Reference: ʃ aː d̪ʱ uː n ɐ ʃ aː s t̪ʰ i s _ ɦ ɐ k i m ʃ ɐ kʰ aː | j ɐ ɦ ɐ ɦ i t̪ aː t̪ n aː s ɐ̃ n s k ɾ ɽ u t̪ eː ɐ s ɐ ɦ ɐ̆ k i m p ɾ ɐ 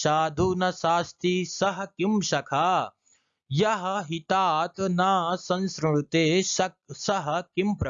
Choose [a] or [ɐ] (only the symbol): ɐ